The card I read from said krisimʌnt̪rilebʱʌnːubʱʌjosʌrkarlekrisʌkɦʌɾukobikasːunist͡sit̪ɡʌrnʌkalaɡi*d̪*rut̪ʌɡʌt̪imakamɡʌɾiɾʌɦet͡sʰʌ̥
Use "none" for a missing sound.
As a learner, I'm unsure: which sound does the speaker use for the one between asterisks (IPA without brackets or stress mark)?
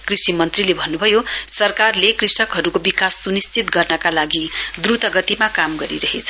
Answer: d̪